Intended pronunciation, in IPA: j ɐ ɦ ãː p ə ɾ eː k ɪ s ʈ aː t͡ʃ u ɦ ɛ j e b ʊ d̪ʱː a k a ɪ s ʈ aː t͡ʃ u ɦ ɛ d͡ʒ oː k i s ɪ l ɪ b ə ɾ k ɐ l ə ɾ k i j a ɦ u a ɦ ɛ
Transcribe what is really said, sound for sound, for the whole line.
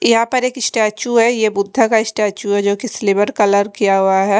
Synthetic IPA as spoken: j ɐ ɦ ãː p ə ɾ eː k ɪ s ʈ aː t͡ʃ u ɦ ɛ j e b ʊ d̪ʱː a k a ɪ s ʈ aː t͡ʃ u ɦ ɛ d͡ʒ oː k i s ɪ l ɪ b ə ɾ k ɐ l ə ɾ k i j a ɦ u a ɦ ɛ